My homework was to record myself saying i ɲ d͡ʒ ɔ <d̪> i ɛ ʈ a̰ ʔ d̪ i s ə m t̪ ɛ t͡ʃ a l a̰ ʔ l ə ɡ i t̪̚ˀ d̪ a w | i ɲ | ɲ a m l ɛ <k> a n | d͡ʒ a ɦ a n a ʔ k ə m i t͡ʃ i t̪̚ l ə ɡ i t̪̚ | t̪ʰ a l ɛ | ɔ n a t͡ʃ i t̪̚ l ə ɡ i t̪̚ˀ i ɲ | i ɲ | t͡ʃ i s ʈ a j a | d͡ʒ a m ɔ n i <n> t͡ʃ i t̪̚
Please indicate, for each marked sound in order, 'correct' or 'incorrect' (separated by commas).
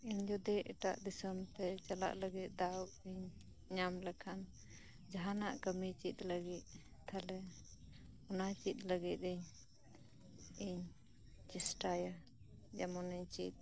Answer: correct, incorrect, incorrect